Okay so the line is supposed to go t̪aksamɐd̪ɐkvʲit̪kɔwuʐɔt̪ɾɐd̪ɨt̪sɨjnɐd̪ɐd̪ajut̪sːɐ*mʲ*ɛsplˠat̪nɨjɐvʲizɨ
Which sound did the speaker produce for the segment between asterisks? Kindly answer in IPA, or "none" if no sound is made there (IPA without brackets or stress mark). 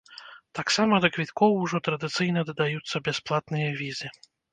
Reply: bʲ